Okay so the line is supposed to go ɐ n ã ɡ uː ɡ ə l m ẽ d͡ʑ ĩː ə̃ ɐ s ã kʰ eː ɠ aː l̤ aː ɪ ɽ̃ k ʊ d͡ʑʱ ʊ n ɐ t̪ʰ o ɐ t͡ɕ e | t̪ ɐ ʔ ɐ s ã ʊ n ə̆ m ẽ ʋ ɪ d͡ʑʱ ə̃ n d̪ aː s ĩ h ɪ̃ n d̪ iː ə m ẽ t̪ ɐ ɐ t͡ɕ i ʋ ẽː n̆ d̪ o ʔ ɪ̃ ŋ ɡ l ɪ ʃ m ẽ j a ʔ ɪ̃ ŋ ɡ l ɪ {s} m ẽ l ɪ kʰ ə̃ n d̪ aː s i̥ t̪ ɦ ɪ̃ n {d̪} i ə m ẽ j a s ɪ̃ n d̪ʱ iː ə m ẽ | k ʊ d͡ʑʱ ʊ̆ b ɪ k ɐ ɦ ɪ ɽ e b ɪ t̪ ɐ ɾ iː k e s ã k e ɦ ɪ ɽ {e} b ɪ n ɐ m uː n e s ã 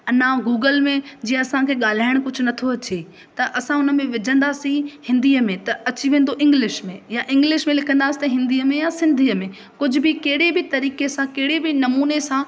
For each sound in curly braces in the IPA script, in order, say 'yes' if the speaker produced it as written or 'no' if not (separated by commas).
no, yes, yes